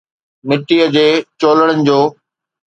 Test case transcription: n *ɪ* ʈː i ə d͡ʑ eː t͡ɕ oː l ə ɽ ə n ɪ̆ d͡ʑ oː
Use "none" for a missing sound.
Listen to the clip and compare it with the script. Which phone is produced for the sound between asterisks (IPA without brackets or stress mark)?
ɪ